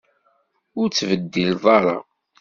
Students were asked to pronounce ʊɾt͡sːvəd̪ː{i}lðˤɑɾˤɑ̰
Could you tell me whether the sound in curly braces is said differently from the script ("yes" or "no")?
no